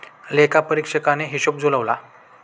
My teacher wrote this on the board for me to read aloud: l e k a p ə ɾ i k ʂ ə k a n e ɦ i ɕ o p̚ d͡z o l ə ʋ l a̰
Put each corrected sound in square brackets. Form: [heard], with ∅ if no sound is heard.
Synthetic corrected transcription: l e k a p ə ɾ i k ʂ ə k a n e ɦ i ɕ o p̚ d͡z o l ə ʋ l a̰